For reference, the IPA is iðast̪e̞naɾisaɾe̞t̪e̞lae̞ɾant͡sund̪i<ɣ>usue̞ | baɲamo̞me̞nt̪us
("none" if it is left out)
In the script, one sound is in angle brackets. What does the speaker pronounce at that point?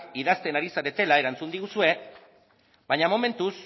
ɣ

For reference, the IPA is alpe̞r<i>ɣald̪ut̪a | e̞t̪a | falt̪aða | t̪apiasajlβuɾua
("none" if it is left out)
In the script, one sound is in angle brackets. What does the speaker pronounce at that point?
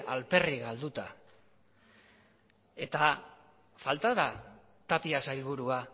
i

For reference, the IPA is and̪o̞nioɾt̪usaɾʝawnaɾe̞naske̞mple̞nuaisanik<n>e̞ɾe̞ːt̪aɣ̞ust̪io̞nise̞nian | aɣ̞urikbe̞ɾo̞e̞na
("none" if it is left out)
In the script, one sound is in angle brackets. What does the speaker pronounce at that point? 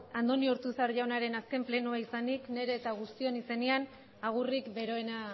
n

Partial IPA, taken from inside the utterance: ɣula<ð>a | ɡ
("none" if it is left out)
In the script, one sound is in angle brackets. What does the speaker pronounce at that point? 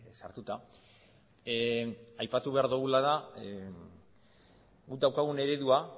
ð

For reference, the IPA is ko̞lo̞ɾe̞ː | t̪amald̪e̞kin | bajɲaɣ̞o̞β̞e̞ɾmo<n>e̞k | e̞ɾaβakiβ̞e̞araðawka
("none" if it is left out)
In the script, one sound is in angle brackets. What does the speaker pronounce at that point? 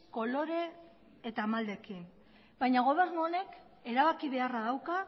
n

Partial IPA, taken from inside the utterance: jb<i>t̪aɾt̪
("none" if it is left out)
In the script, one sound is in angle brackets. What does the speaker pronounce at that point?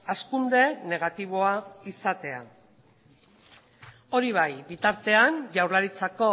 i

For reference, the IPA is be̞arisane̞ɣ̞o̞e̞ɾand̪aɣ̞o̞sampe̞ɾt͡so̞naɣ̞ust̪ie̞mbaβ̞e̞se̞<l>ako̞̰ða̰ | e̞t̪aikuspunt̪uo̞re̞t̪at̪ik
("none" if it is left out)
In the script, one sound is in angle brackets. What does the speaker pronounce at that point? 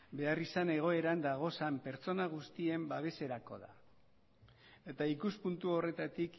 ɾ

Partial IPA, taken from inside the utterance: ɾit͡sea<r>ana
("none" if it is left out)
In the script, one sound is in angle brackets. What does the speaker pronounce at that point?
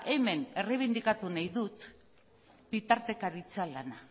l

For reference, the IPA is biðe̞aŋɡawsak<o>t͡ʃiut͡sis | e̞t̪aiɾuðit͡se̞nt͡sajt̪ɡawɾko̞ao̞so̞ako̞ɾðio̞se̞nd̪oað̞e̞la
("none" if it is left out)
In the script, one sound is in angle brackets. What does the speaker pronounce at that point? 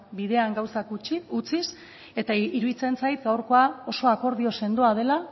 u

